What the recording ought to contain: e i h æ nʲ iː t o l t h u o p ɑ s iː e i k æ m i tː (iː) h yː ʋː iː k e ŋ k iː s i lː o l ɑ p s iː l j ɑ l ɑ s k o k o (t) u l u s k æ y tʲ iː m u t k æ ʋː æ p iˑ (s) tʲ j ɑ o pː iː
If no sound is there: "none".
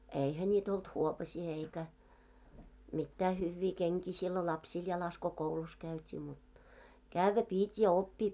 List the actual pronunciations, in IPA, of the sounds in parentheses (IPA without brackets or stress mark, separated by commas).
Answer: æː, none, none